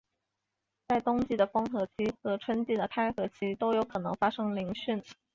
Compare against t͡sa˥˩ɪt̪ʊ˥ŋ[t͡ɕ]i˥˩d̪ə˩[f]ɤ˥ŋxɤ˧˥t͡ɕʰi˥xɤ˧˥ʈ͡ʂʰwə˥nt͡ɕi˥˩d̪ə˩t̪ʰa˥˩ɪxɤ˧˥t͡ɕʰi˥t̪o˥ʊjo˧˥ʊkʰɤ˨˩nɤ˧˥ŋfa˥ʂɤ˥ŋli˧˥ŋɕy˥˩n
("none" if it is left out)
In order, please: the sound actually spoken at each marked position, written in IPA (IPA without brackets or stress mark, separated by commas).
t͡ɕ, f